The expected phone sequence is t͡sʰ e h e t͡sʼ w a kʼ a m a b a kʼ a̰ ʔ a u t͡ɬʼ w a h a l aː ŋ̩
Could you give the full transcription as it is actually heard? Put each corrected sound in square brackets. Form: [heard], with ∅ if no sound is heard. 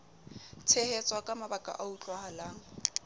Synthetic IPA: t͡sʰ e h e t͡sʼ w a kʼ a m a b a kʼ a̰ ʔ a u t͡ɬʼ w a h a l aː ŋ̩